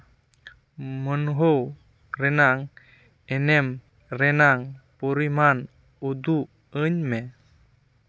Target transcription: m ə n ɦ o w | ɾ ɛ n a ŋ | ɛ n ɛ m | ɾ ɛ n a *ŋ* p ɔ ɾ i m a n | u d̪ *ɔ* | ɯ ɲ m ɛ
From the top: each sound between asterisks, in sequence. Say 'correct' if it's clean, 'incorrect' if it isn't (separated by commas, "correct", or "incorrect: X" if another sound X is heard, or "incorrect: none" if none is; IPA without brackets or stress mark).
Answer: correct, incorrect: u